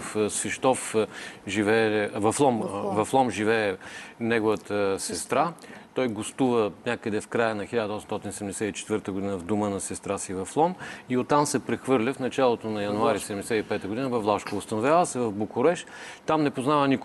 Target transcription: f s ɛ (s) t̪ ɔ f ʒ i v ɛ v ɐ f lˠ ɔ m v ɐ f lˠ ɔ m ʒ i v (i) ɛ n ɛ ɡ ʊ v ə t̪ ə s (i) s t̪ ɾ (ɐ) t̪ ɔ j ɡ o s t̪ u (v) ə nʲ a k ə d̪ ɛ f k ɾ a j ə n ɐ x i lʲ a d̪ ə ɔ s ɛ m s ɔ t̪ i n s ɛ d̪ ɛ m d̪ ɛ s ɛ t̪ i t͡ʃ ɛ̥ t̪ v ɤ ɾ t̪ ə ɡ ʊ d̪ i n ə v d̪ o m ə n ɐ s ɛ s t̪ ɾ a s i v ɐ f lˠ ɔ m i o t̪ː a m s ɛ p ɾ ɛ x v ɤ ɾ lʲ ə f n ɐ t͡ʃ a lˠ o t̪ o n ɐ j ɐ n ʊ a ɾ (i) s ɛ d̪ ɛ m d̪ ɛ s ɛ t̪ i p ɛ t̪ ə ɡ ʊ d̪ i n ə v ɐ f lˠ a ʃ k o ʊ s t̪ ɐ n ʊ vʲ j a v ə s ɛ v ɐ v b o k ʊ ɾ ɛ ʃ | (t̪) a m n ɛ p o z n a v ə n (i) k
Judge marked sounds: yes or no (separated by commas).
no, no, no, no, yes, yes, yes, yes